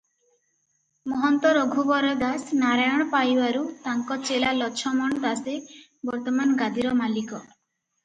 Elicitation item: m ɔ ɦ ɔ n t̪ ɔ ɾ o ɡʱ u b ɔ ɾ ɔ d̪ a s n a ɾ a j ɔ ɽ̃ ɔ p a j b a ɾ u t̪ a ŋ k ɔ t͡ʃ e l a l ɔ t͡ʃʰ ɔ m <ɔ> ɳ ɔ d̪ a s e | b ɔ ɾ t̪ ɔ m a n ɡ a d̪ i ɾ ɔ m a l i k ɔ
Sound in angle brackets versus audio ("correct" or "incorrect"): correct